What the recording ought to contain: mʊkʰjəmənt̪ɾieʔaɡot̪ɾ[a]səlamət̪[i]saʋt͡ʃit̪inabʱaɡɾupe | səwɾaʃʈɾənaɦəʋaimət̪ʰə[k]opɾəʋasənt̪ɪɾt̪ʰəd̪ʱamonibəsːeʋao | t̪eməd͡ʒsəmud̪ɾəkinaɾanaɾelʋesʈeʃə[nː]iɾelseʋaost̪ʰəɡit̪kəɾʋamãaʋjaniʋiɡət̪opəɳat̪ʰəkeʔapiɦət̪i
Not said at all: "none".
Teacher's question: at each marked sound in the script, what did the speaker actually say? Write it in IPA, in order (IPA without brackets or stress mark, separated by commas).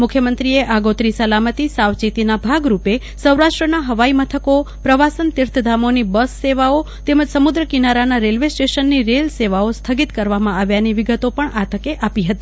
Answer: i, i, k, nː